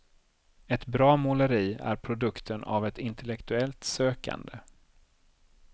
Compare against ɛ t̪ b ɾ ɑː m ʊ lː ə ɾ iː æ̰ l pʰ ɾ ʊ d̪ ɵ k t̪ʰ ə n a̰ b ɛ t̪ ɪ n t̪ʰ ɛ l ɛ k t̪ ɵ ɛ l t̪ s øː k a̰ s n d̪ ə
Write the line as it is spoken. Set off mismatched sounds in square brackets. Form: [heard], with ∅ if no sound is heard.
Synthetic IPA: ɛ t̪ b ɾ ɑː m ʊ [l] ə ɾ iː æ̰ [ɾ] pʰ ɾ ʊ d̪ ɵ k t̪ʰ ə n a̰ [v] ɛ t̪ ɪ n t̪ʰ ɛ l ɛ k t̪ ɵ ɛ l t̪ s øː k a̰ [∅] n d̪ ə